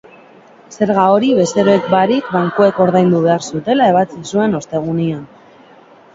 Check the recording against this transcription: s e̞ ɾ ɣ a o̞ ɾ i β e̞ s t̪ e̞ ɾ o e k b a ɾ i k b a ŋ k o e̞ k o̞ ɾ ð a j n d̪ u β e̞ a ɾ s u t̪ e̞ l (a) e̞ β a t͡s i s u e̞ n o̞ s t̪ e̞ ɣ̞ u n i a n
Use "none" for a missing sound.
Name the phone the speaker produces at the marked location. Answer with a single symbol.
a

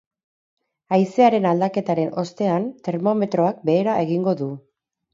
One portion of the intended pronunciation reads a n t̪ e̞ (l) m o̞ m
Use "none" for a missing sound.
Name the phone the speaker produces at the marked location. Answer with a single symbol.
ɾ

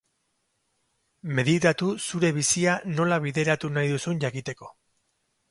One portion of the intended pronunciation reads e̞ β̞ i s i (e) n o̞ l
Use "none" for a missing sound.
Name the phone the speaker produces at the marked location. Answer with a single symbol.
a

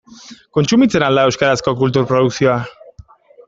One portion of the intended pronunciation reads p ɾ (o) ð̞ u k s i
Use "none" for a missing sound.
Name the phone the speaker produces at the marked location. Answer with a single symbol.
o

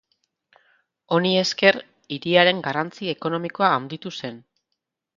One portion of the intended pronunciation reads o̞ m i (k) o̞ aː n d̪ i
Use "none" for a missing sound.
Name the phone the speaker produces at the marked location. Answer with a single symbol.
k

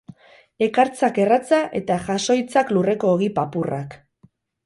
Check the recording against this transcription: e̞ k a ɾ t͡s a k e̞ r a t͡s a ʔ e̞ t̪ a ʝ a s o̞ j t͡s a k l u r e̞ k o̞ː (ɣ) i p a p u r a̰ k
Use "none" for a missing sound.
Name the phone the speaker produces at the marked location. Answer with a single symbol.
ɣ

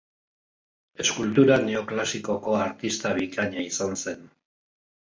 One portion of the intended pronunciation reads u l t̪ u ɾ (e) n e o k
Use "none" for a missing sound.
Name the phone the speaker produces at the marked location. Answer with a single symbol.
a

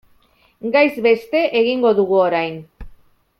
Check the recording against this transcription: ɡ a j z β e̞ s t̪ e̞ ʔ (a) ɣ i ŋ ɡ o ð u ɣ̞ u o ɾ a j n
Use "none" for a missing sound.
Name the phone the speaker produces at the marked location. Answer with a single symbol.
e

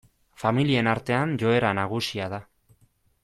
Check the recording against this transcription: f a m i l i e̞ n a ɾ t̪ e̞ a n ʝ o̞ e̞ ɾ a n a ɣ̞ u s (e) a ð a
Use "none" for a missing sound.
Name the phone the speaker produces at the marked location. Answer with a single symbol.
i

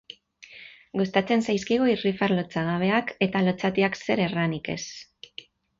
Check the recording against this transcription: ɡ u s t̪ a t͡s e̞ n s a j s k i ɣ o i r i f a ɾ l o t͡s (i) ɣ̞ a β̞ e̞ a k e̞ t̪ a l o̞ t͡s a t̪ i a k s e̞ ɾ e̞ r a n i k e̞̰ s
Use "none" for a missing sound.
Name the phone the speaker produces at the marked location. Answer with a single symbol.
a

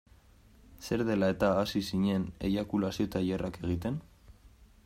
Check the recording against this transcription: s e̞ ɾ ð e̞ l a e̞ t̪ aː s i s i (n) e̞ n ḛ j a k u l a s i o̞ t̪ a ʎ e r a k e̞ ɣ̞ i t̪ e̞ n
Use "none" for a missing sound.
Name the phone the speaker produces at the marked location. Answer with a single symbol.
ɲ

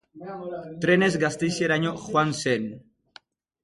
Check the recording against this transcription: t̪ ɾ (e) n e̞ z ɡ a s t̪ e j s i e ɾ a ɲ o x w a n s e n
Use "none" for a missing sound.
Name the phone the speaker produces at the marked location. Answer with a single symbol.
e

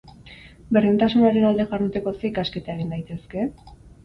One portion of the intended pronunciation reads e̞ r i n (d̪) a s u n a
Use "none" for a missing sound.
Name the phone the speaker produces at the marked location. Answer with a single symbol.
t̪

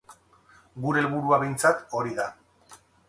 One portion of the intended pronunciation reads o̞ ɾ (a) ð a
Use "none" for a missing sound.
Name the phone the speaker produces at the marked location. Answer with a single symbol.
i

